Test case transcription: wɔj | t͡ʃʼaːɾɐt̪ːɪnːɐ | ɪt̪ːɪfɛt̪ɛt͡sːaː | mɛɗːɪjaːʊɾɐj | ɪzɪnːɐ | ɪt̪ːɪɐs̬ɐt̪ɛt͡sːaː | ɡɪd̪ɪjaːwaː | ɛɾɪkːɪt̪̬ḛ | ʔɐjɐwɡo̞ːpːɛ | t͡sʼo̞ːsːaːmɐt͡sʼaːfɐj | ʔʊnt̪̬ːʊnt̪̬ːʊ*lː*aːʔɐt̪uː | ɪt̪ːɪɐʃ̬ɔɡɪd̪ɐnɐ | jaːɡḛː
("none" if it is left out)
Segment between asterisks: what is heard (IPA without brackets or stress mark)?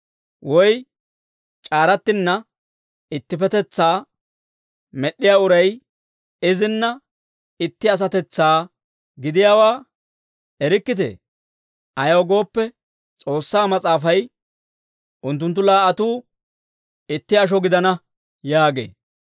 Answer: l